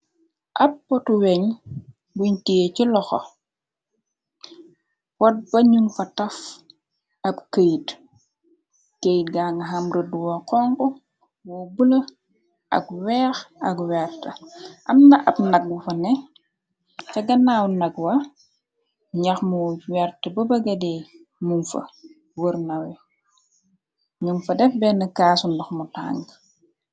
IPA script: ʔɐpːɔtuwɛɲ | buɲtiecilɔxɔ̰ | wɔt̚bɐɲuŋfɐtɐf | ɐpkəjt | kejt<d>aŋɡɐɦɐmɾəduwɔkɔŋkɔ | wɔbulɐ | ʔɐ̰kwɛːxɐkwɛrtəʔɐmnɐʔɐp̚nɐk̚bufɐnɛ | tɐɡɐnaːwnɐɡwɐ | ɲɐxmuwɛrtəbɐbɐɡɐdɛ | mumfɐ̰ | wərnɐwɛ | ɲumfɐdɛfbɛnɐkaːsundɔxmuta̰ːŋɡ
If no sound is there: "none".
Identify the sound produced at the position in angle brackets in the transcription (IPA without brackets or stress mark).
ɡ